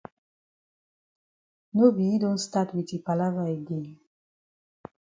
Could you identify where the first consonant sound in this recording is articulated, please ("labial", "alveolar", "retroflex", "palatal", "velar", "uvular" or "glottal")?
alveolar